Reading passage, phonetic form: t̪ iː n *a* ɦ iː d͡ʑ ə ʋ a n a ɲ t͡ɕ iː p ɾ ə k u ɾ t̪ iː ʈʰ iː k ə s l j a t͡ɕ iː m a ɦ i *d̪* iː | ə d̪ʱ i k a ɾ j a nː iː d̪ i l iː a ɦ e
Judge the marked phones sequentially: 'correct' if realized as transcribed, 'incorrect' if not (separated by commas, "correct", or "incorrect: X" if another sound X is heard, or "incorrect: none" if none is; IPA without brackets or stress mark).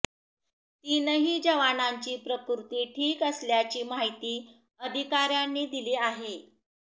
incorrect: ə, incorrect: t̪